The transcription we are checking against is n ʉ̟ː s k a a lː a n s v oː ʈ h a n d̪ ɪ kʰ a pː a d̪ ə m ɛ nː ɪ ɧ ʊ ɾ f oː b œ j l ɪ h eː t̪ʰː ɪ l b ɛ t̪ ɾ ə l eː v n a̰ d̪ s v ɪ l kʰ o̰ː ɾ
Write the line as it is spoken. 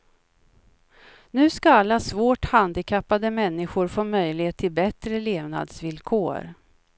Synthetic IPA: n ʉ̟ː s k a a lː a s v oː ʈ h a n d̪ ɪ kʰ a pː a d̪ ə m ɛ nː ɪ ɧ ʊ ɾ f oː m œ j l ɪ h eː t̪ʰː ɪ l b ɛ t̪ ɾ ə l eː v n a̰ d̪ s v ɪ l kʰ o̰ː ɾ

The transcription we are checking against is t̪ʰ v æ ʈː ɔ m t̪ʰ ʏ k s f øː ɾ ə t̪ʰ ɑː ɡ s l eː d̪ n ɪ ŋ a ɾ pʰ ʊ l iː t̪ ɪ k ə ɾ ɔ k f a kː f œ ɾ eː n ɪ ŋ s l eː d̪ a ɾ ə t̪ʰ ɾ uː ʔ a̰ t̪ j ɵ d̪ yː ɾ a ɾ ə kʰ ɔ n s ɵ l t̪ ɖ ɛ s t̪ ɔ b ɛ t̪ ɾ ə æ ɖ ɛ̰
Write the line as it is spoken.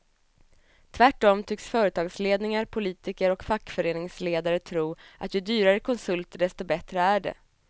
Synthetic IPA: t̪ʰ v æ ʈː ɔ m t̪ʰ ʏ k s f œː ɾ ə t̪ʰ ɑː ɡ s l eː d̪ n ɪ ŋ a ɾ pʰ ʊ l iː t̪ ɪ k ə ɾ ɔ k f a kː f œ ɾ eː n ɪ ŋ s l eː d̪ a ɾ ə t̪ʰ ɾ uː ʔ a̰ t̪ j ɵ d̪ yː ɾ a ɾ ə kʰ ɔ n s ɵ l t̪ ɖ ɛ s t̪ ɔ b ɛ t̪ ɾ ə æ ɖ ɛ̰

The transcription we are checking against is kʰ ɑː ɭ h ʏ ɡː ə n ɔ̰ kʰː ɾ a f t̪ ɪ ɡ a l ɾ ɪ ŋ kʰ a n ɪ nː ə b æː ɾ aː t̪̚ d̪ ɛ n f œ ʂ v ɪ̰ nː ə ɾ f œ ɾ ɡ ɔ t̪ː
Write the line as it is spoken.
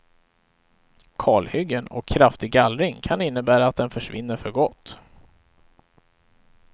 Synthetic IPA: kʰ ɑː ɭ h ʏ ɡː ə n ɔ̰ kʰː ɾ a f t̪ ɪ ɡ a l ɾ ɪ ŋ kʰ a n ɪ nː ə b æː ɾ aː t̪̚ d̪ ɛ n f œ ʂ v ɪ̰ nː ə ɾ f œ ɾ ɡ ɔ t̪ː

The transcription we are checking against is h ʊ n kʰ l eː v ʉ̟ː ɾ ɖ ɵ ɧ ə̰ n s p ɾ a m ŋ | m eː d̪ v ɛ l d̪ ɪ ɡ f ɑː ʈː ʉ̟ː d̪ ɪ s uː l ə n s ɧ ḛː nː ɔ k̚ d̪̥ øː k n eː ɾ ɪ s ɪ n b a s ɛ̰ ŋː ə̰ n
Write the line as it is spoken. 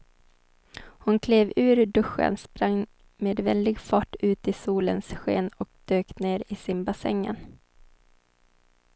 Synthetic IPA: h ʊ n kʰ l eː v ʉ̟ː ɾ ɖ ɵ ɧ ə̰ n s p ɾ a ŋ | m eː d̪ v ɛ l d̪ ɪ ɡ f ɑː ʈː ʉ̟ː t̪ ɪ s uː l ə n s ɧ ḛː n ɔ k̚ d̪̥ øː k n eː ɾ ɪ s ɪ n b a s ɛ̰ ŋː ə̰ n

